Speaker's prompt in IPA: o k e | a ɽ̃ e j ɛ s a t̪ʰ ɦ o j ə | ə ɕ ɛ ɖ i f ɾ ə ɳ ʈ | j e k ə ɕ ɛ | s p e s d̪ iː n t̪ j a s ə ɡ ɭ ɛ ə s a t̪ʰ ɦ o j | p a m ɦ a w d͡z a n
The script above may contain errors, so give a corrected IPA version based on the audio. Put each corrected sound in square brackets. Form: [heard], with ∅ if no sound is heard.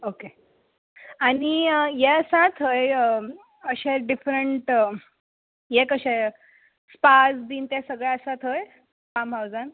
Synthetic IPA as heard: o k e | a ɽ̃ [i] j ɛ s a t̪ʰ ɦ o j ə | ə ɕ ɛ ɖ i f ɾ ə ɳ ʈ | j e k ə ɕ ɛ | s p [a] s d̪ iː n t̪ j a s ə ɡ ɭ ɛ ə s a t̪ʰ ɦ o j | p a m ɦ a w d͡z a n